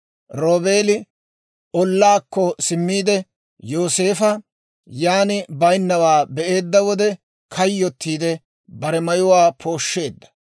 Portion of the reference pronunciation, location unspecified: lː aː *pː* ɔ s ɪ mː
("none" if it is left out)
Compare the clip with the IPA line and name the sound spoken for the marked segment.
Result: kː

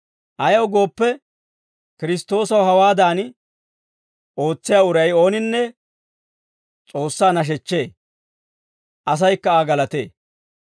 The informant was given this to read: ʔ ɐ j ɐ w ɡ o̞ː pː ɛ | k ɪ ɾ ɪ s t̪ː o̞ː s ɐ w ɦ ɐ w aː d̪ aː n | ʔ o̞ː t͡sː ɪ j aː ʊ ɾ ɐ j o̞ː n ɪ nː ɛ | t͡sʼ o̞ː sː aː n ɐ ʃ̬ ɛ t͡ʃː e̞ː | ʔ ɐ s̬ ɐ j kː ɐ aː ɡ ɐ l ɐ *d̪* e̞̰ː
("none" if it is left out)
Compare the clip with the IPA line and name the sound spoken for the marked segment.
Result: t̪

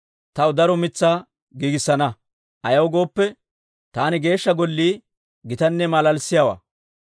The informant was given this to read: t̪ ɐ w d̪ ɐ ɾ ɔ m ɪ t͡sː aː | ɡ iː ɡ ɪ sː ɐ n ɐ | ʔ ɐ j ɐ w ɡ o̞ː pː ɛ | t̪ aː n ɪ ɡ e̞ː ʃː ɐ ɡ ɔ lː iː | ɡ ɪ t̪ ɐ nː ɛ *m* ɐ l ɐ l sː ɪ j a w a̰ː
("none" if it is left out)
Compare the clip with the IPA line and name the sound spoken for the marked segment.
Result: m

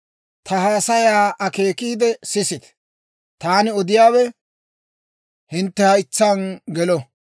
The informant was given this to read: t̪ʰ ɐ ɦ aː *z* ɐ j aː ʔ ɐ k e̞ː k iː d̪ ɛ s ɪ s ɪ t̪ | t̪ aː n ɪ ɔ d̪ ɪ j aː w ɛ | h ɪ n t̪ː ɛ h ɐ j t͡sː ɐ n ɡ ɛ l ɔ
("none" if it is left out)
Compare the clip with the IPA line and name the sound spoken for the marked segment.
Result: s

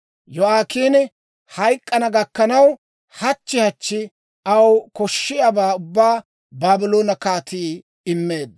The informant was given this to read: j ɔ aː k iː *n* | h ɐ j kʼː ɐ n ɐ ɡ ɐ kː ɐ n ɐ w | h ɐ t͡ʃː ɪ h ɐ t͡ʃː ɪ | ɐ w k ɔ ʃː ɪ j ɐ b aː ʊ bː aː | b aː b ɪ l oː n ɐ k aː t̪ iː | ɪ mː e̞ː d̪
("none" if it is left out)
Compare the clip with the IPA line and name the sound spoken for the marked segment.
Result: n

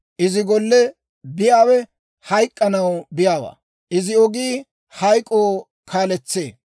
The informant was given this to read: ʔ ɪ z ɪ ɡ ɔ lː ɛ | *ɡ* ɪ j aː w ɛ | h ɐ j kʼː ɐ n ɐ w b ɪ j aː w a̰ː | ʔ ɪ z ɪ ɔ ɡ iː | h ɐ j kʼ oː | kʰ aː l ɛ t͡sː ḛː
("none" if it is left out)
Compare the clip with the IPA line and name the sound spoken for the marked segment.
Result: b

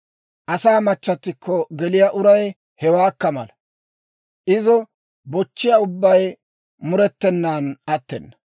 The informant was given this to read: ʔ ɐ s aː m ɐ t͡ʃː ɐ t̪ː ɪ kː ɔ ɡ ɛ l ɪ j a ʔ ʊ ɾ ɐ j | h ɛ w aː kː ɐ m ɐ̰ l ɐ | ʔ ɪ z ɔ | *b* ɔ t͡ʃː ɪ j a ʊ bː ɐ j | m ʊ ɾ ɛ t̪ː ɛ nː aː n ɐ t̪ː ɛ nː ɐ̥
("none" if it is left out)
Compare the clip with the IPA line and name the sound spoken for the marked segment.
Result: b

